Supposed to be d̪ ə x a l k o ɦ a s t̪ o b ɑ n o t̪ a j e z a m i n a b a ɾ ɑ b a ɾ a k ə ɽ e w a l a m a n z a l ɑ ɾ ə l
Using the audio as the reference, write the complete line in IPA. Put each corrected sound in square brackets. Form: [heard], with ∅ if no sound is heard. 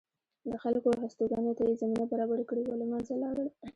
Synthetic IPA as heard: d̪ ə x a l k o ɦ a s t̪ o [ɡ] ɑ n o t̪ a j e z a m i n a b a ɾ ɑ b a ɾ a k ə ɽ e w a l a m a n z a l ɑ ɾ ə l

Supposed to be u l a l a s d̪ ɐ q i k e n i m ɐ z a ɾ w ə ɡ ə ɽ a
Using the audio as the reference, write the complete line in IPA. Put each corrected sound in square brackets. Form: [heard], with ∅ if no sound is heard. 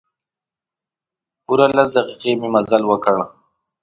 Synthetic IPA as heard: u [ɾ] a l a s d̪ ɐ q i [q] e [m] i m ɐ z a [l] w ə [k] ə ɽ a

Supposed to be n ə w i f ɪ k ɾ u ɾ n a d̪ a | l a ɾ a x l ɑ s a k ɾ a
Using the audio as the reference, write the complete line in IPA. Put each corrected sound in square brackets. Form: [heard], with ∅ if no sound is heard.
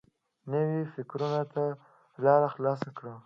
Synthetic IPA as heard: n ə w i f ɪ k ɾ u [∅] n a [t̪] a | l [ɑ] ɾ a x l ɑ s a k [ɽ] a

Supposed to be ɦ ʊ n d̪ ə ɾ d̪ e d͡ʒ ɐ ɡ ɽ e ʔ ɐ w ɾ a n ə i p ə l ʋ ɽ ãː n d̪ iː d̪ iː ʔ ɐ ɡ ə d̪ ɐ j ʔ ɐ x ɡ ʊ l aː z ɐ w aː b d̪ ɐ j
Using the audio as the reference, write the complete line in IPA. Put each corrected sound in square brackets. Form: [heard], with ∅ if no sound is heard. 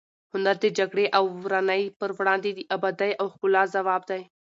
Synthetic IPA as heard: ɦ ʊ n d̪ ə ɾ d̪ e d͡ʒ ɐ ɡ ɽ e ʔ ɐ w ɾ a n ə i p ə [ɾ] ʋ ɽ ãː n d̪ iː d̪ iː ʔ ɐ [b] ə d̪ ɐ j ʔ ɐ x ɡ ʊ l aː z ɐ [ʋ] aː b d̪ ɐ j

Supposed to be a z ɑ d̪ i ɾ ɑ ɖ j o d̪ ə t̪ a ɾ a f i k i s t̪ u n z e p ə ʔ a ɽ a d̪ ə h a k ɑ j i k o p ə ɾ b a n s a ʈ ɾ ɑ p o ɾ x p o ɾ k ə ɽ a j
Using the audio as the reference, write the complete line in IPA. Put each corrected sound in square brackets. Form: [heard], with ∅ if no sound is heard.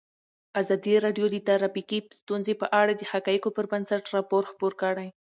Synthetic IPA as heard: a z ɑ d̪ i ɾ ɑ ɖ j o d̪ ə t̪ a ɾ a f i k i s t̪ u n z e p ə ʔ a ɽ a d̪ ə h a k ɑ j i k o p ə ɾ b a n s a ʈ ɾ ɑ p o ɾ x p o ɾ k ə ɽ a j

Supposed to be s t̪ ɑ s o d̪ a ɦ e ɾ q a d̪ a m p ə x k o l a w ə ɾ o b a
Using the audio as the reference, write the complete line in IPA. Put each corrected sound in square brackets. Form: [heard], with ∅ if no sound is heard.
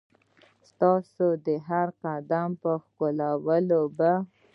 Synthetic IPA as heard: s t̪ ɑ s o d̪ [ə] ɦ [a] ɾ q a d̪ a m p ə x k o l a w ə [l] o b a

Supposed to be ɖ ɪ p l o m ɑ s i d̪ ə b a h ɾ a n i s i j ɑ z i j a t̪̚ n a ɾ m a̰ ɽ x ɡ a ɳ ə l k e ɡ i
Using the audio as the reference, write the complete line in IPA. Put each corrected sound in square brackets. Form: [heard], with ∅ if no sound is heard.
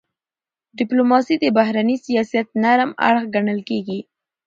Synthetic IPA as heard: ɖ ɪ p l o m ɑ s i d̪ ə b a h ɾ a n i s i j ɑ [s] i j a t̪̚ n a ɾ m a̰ ɽ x ɡ a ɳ ə l k e ɡ i

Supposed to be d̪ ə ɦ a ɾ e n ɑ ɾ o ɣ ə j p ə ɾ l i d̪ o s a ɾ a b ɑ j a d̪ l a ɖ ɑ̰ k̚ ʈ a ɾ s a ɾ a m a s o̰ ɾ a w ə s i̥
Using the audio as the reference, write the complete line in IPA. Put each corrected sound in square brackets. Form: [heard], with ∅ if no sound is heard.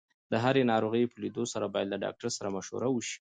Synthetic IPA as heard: d̪ ə ɦ a ɾ e n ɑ ɾ o ɣ ə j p ə [∅] l i d̪ o s a ɾ a b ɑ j a d̪ l a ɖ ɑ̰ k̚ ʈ a ɾ s a ɾ a m a [ʃ] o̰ ɾ a w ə [ʃ] i̥

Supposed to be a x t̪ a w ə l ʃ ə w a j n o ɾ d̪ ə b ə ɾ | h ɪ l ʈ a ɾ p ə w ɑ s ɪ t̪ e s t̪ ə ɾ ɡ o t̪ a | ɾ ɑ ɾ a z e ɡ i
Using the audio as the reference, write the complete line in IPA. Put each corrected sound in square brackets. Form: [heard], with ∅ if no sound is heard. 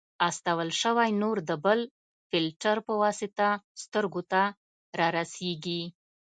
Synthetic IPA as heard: a [s] t̪ a w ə l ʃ ə w a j n o ɾ d̪ ə b ə [l] | [f] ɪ l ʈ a ɾ p ə w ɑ s ɪ t̪ [a] s t̪ ə ɾ ɡ o t̪ a | ɾ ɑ ɾ a [s] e ɡ i

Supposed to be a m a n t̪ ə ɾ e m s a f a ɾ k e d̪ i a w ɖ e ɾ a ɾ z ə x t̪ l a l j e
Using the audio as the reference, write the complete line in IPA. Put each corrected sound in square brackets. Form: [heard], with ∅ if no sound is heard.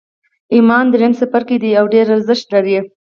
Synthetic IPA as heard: [i] m [ɑ] n [d̪] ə ɾ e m s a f a ɾ k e d̪ i a w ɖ e ɾ a ɾ z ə [ʃ] t̪ l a [ɾ] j e

